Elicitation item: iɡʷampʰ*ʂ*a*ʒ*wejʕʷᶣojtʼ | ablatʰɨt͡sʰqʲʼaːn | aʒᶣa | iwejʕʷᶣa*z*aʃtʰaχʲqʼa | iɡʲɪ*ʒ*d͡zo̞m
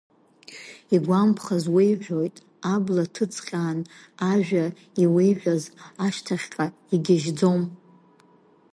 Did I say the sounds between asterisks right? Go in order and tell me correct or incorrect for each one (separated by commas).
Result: incorrect, incorrect, correct, correct